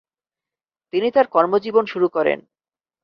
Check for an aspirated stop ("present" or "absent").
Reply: absent